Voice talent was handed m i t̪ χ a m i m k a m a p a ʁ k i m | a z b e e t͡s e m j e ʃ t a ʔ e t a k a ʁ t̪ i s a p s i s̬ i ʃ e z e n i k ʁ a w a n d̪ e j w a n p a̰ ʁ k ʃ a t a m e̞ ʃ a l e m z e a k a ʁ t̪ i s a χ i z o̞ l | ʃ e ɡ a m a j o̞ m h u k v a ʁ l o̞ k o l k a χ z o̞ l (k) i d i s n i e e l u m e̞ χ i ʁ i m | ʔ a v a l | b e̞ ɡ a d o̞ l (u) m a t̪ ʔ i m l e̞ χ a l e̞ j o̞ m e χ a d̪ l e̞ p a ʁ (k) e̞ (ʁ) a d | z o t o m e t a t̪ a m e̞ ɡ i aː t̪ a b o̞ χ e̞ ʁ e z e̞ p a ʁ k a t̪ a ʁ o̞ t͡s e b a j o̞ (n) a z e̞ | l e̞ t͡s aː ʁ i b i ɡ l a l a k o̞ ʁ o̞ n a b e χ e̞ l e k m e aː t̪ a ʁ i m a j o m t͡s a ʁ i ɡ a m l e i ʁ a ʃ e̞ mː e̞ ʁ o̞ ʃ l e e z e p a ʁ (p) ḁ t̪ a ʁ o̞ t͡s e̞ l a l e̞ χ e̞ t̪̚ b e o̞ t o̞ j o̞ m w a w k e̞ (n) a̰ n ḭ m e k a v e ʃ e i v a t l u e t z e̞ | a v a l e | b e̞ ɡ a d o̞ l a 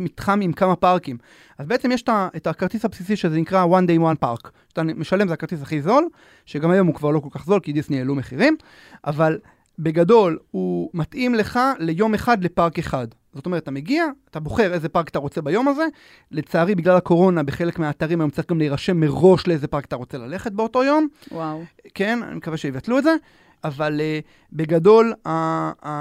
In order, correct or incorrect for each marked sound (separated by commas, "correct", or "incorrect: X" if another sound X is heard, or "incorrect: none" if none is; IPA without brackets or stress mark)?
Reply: correct, correct, correct, incorrect: χ, incorrect: m, incorrect: k, correct